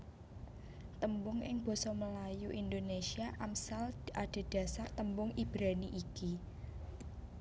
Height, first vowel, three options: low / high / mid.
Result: mid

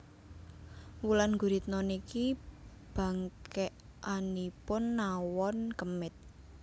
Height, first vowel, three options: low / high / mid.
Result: high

